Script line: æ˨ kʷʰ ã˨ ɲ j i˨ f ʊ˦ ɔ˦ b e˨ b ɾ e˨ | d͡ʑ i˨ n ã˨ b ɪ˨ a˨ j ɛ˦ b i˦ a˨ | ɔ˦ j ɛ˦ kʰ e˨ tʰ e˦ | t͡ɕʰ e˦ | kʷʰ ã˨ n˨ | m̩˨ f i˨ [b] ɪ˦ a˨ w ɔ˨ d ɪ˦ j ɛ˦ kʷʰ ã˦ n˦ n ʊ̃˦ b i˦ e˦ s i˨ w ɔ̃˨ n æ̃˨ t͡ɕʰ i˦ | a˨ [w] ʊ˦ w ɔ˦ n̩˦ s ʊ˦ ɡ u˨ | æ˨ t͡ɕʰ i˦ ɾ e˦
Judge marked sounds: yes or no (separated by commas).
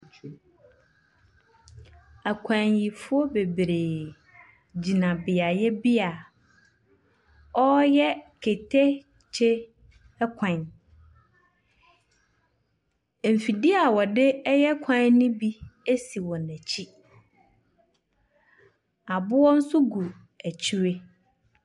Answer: no, no